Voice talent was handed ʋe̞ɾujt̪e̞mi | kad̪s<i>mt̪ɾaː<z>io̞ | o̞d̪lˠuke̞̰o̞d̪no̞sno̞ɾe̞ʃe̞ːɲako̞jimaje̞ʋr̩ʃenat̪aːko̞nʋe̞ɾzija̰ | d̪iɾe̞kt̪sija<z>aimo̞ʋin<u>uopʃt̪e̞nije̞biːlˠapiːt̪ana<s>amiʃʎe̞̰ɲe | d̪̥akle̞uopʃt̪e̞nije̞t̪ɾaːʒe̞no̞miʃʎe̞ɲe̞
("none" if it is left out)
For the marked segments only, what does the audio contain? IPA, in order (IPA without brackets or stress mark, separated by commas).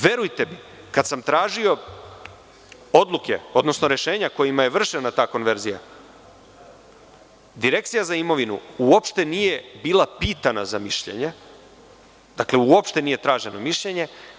a, ʒ, z, u, z